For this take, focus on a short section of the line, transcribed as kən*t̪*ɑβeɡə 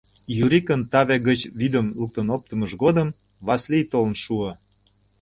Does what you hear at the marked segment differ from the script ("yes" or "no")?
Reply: no